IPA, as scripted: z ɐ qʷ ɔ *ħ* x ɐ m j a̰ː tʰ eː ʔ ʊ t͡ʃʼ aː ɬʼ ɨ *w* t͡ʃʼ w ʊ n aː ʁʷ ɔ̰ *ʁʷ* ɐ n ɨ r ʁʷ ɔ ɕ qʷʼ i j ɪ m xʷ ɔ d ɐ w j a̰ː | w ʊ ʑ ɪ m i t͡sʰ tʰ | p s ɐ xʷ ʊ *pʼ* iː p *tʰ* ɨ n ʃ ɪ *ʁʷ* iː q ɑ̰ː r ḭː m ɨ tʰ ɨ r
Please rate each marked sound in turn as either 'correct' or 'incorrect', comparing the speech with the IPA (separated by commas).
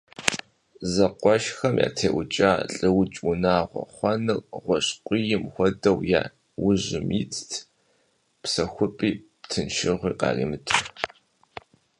incorrect, correct, incorrect, correct, correct, correct